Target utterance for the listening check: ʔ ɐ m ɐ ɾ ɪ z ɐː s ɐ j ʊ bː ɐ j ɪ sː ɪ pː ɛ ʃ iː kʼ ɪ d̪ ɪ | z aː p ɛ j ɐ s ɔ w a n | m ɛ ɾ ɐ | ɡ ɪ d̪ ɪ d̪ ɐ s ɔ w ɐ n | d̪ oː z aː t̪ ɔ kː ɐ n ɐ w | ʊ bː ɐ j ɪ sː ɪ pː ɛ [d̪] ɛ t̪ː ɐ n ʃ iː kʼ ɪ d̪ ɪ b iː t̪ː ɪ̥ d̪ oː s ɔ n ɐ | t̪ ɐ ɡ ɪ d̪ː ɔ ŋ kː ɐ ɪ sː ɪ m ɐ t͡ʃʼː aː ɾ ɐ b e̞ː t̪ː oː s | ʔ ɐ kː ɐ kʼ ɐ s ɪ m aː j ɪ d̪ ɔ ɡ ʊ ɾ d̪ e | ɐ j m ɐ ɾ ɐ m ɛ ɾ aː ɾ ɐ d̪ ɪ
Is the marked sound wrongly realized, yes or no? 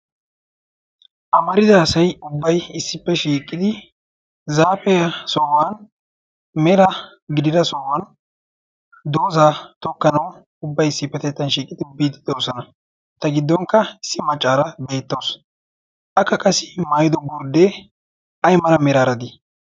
yes